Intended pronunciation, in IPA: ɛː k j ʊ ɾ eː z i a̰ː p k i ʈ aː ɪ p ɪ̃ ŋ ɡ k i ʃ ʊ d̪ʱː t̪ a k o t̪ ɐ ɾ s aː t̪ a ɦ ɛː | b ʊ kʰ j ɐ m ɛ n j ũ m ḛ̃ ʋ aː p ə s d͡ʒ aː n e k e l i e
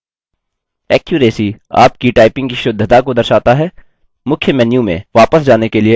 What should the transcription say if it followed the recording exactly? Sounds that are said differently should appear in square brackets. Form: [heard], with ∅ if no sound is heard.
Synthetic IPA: ɛː k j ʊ ɾ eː [s] i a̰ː p k i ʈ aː ɪ p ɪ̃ ŋ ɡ k i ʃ ʊ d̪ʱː t̪ a k o [d̪] ɐ ɾ [ʃ] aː t̪ a ɦ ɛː | [m] ʊ kʰ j [ə] m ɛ n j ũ m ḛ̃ ʋ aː p ə s d͡ʒ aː n e k e l i e

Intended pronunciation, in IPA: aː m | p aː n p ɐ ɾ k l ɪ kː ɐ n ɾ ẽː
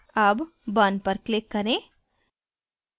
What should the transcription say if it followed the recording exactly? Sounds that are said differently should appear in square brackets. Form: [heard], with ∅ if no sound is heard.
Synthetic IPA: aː [b] | [b] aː n p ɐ ɾ k l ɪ kː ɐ [∅] ɾ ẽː

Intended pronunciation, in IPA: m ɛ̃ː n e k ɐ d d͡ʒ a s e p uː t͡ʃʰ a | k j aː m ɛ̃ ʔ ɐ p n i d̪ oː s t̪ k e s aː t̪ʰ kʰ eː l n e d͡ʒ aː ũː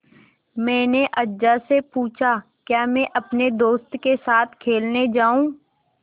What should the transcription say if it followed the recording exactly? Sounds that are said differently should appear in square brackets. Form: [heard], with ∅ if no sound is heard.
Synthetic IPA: m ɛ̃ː n e [ʔ] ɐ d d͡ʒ a s e p uː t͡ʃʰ a | k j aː m ɛ̃ ʔ ɐ p n [e] d̪ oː s t̪ k e s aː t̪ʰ kʰ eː l n e d͡ʒ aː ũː

